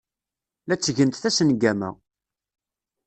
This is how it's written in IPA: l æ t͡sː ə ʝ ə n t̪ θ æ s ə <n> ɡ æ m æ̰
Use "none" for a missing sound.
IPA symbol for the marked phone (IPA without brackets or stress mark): n